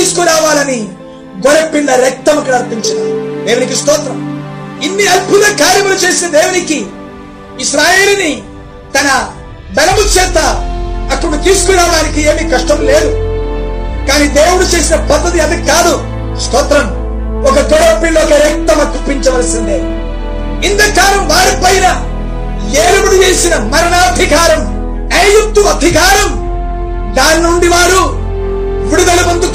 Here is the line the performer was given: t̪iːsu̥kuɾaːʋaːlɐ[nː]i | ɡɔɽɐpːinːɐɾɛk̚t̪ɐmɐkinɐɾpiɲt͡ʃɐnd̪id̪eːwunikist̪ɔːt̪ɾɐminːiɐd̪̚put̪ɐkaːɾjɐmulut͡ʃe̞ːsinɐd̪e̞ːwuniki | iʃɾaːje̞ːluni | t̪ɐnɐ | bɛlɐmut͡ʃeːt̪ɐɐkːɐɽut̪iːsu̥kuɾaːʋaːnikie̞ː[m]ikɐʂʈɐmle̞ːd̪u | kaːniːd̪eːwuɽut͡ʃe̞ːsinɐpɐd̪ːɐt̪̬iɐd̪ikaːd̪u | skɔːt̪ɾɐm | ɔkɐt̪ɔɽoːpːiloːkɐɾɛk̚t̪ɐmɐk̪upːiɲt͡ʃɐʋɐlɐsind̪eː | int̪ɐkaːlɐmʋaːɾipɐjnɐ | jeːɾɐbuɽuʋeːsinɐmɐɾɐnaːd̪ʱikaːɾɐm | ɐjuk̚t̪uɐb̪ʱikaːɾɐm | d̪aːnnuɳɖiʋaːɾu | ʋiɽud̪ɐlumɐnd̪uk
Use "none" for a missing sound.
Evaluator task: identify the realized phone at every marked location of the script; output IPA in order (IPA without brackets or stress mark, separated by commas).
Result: n, m